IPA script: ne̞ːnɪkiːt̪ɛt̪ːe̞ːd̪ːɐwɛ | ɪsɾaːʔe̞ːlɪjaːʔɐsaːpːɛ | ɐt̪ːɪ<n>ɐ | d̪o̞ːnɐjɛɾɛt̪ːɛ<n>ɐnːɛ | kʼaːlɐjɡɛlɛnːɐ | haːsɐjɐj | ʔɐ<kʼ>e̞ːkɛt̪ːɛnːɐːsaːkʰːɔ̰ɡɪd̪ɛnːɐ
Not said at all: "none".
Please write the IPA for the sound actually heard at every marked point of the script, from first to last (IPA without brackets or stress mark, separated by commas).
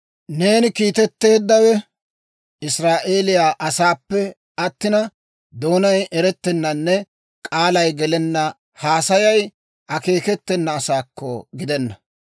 n, nː, k